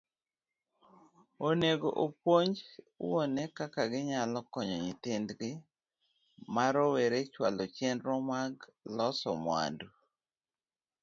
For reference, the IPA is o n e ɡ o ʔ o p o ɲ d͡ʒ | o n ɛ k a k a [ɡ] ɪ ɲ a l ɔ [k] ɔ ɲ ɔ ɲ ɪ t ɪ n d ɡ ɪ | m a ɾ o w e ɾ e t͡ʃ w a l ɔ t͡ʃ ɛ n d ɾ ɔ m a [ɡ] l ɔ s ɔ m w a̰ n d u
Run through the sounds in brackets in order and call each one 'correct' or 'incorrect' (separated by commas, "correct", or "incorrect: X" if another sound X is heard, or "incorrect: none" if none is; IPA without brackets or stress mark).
correct, correct, correct